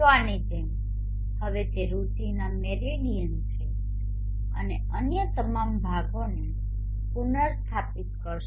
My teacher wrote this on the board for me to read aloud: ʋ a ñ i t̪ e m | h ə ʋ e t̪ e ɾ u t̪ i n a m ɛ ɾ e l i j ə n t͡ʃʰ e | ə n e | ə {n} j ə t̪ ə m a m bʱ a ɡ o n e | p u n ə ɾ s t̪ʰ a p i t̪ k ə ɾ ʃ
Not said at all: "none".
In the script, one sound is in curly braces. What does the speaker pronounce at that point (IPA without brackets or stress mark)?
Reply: n